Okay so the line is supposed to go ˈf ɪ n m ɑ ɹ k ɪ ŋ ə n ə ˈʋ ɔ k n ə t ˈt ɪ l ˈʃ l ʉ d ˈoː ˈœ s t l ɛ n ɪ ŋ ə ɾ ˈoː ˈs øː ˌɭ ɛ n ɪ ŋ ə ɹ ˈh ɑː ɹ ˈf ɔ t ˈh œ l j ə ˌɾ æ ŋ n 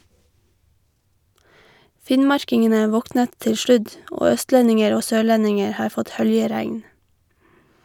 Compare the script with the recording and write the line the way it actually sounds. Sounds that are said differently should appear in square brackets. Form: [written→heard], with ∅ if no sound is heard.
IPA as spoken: ˈf ɪ n m ɑ ɹ k ɪ ŋ ə n ə ˈʋ ɔ k n ə t ˈt ɪ l ˈʃ l ʉ d ˈoː ˈœ s t l ɛ n ɪ ŋ ə ɾ ˈoː ˈs øː ˌɭ ɛ n ɪ ŋ ə ɹ ˈh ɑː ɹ ˈf ɔ t ˈh œ l j ə ˌɾ æ ŋ n

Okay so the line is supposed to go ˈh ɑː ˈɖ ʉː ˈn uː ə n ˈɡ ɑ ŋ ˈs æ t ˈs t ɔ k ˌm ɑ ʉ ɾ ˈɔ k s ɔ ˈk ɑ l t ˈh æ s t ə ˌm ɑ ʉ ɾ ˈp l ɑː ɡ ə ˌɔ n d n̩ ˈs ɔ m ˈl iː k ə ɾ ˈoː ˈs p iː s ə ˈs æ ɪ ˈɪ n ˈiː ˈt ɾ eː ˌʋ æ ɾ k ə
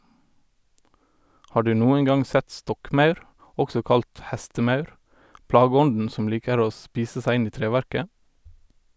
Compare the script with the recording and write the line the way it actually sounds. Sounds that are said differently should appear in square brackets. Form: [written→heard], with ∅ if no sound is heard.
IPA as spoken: ˈh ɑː ˈɖ ʉː ˈn uː ə n ˈɡ ɑ ŋ ˈs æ t ˈs t ɔ k ˌm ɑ ʉ ɾ ˈɔ k s ɔ ˈk ɑ l t ˈh æ s t ə ˌm ɑ ʉ ɾ ˈp l ɑː ɡ ə ˌɔ n d n̩ ˈs ɔ m ˈl iː k ə ɾ ˈoː ˈs p iː s ə ˈs æ ɪ ˈɪ n ˈiː ˈt ɾ eː ˌʋ æ ɾ k ə

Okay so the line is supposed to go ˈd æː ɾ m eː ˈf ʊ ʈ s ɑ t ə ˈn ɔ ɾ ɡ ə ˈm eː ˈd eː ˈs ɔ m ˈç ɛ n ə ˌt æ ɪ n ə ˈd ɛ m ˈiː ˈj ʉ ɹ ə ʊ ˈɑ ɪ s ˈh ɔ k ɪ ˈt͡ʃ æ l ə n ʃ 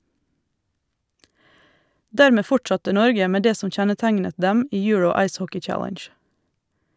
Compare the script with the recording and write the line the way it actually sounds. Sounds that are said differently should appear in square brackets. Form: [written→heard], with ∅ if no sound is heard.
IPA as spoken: ˈd æː ɾ m eː ˈf ʊ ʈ s ɑ t ə ˈn ɔ ɾ ɡ ə ˈm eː ˈd eː ˈs ɔ m ˈç ɛ n ə ˌt æ ɪ n ə ˈd ɛ m ˈiː ˈj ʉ ɹ ə ʊ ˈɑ ɪ s ˈh ɔ k ɪ ˈt͡ʃ æ l ə n ʃ

